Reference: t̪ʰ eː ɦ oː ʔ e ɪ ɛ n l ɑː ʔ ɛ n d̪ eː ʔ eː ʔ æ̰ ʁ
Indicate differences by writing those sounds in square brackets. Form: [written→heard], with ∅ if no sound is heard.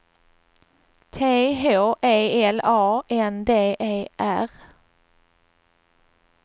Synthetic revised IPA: t̪ʰ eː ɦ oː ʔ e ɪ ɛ [n→∅] l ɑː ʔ ɛ n d̪ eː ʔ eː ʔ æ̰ ʁ